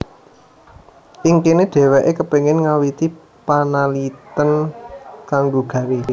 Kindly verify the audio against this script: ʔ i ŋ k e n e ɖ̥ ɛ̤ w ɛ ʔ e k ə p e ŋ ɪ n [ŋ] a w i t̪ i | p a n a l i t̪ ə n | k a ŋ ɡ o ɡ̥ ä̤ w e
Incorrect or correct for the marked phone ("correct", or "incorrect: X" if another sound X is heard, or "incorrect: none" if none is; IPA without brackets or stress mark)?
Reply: correct